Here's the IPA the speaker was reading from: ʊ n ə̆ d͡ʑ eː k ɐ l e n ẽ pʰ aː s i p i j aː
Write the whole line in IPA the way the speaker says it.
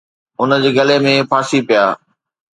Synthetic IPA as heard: ʊ n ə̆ d͡ʑ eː ɡ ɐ l e m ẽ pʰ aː s i p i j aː

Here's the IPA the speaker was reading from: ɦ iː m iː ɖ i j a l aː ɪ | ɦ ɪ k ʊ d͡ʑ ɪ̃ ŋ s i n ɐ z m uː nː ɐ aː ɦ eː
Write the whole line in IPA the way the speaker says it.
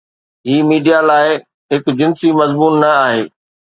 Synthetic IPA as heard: ɦ iː m iː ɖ i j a l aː ɪ | ɦ ɪ k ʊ d͡ʑ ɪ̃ n s i m ɐ z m uː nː ɐ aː ɦ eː

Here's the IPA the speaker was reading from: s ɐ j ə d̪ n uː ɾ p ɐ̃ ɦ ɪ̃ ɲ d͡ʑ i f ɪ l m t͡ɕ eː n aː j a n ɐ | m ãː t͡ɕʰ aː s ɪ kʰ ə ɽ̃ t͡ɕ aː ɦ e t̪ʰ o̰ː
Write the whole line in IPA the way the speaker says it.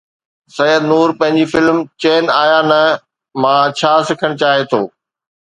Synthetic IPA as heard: s ɐ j ə d̪ n uː ɾ p ɐ̃ ɦ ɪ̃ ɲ d͡ʑ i f ɪ l m t͡ɕ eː n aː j a n ɐ | m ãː t͡ɕʰ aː s ɪ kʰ ə ɽ̃ t͡ɕ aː ɦ e t̪ʰ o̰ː

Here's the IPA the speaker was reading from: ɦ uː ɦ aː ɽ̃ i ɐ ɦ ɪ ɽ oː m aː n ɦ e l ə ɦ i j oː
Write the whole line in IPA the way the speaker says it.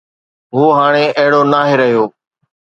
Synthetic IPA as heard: ɦ uː ɦ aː ɽ̃ e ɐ ɦ ɪ ɽ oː n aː ɦ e ɾ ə ɦ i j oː

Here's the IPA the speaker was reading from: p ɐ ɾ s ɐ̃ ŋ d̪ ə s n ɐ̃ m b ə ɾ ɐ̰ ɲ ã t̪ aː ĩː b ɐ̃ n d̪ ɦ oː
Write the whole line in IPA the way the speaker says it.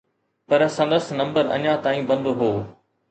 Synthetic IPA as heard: p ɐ ɾ s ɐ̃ n d̪ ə s n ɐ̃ m b ə ɾ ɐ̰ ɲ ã t̪ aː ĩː b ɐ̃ n d̪ ɦ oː

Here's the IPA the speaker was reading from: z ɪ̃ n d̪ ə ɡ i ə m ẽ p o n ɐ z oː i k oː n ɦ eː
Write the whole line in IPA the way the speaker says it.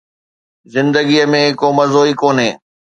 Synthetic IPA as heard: z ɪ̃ n d̪ ə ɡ i ə m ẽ k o m ɐ z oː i k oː n ɦ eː

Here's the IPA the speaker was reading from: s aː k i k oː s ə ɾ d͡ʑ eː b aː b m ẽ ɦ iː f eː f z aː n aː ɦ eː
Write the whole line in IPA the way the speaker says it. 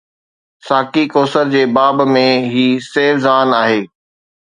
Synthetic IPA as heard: s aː k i k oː s ə ɾ d͡ʑ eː b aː b m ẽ ɦ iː s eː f z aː n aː ɦ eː

